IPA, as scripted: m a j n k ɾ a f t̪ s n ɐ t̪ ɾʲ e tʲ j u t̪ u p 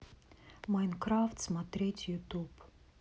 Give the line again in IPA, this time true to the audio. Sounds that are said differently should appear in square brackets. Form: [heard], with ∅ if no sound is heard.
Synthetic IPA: m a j n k ɾ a f t̪ s [m] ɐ t̪ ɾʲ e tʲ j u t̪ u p